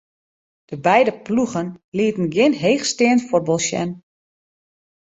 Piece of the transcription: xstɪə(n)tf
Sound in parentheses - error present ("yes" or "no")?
no